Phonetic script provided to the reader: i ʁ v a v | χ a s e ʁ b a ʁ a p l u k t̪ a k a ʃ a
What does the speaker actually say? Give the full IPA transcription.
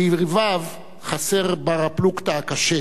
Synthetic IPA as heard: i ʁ v a v | χ a s e ʁ b a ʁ a p l u k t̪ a k a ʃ e